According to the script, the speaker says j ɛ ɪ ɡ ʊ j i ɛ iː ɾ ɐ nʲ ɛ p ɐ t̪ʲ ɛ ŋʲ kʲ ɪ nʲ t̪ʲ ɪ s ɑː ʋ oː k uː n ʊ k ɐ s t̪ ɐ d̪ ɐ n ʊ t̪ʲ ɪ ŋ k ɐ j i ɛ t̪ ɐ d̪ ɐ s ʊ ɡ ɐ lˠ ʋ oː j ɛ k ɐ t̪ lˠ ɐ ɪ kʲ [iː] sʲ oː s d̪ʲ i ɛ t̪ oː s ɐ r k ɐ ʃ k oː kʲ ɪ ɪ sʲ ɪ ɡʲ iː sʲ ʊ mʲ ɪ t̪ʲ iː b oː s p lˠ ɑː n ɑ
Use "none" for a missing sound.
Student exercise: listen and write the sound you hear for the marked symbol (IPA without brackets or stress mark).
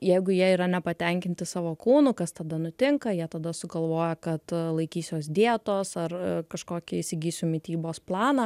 iː